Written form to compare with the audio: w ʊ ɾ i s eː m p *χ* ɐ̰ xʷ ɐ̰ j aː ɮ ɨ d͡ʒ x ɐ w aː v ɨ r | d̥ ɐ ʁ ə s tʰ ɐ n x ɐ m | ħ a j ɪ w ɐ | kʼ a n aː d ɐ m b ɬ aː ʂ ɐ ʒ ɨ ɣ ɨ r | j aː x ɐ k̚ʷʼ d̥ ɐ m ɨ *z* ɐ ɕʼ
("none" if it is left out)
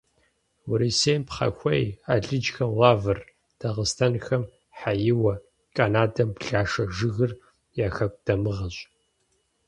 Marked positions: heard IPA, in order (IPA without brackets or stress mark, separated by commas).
χ, ʁ